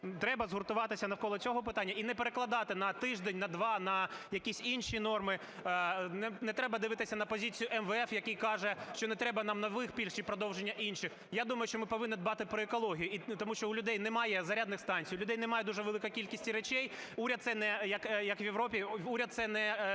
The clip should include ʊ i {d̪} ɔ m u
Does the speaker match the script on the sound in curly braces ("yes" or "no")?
no